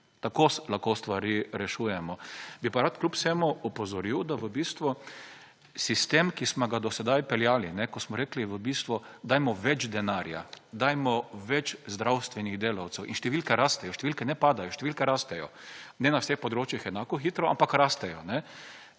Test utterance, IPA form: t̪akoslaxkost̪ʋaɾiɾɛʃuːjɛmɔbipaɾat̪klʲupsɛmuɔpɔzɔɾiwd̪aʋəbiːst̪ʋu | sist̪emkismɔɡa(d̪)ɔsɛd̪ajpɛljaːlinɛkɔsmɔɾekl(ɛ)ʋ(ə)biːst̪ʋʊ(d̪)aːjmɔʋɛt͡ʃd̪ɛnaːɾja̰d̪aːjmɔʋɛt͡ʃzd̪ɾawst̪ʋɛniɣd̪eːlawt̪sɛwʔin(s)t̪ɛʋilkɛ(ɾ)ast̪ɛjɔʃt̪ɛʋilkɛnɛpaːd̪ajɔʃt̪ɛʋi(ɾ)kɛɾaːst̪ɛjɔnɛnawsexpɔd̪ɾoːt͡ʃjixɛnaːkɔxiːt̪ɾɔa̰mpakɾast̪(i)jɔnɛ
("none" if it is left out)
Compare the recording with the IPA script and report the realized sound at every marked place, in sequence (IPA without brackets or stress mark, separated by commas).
d̪, i, ə, d̪, ʃ, ɾ, l, ɛ